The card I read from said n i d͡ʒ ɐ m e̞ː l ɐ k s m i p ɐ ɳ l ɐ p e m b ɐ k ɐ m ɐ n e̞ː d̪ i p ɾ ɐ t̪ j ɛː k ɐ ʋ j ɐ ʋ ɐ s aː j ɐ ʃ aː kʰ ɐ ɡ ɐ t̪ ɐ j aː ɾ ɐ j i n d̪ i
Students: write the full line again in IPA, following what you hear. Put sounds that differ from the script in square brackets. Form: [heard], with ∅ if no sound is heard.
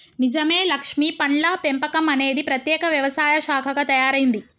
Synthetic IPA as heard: n i d͡ʒ ɐ m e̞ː l ɐ k [ʂ] m i p ɐ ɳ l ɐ p e m [p] ɐ k ɐ m ɐ n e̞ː d̪ i p ɾ ɐ t̪ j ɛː k ɐ ʋ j ɐ ʋ ɐ s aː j ɐ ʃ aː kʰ ɐ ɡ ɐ t̪ ɐ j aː ɾ ɐ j i n d̪ i